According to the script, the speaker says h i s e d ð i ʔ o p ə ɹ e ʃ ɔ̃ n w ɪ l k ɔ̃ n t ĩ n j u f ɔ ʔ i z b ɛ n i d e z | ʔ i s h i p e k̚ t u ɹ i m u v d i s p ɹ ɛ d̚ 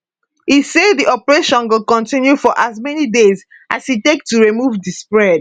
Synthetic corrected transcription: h i s e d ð i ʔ ɔ p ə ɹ e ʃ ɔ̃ n w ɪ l k ɔ̃ n t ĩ n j u f ɔ ʔ a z m ɛ n i d e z | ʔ a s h i t e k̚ t u ɹ i m u v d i s p ɹ ɛ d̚